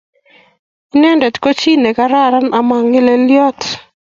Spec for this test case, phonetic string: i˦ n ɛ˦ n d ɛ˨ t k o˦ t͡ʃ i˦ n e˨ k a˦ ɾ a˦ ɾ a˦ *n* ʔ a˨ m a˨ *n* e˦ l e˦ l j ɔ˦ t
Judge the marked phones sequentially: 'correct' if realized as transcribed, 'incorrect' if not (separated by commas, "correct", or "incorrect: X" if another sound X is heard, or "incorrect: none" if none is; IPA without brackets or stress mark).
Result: correct, incorrect: ŋ